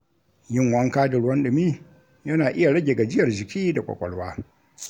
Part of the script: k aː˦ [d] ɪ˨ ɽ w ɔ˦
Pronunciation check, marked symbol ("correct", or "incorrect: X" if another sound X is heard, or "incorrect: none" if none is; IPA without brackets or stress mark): correct